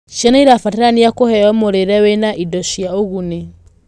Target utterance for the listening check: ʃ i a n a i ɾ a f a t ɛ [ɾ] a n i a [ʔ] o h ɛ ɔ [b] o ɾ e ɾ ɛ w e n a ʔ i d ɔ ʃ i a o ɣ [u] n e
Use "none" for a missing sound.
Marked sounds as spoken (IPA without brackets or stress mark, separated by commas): ɾ, k, m, u